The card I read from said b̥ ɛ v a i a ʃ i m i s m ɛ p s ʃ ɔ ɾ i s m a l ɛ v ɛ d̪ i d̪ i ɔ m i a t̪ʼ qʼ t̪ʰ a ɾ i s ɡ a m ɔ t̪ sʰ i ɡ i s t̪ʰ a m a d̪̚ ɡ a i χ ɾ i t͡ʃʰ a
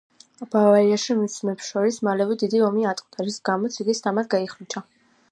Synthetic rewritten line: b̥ a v a i a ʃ i m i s m ɛ p s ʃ ɔ ɾ i s m a l ɛ v ɛ d̪ i d̪ i ɔ m i a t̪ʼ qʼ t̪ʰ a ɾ i s ɡ a m ɔ t̪ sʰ i ɡ i s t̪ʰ a m a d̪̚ ɡ a i χ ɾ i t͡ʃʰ a